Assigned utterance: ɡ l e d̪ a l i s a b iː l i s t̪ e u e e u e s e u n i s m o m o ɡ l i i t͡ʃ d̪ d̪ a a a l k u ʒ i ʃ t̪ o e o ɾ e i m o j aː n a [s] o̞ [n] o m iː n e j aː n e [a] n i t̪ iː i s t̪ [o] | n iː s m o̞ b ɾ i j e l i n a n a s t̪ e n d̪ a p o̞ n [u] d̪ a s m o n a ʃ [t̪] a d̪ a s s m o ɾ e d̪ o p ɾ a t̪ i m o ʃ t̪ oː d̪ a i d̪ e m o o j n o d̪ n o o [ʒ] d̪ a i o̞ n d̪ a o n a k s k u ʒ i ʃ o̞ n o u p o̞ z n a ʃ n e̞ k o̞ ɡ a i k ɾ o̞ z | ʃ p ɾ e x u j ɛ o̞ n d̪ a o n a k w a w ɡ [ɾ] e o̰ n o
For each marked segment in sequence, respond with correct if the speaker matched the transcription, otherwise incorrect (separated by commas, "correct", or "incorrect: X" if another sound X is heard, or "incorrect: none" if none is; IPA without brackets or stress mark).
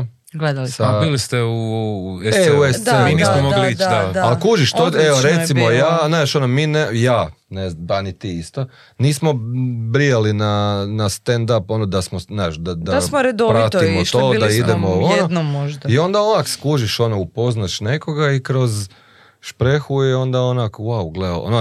incorrect: ʃ, correct, correct, correct, incorrect: o, incorrect: d̪, correct, incorrect: l